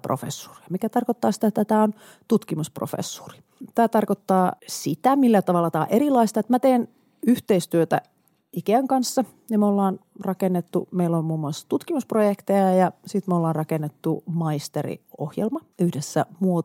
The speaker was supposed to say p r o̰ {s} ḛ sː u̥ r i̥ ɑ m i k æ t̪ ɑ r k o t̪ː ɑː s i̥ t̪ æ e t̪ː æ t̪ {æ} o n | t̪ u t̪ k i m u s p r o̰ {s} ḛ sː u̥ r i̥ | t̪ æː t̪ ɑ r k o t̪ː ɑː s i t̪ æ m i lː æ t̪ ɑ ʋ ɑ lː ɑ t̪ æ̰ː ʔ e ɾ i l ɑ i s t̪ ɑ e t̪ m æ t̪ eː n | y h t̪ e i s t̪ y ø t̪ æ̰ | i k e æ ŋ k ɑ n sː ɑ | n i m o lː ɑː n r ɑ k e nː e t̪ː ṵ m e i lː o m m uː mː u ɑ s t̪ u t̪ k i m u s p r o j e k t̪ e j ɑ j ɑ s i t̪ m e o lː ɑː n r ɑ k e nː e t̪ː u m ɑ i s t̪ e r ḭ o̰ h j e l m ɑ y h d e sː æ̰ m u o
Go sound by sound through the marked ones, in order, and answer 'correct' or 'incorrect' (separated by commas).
incorrect, incorrect, incorrect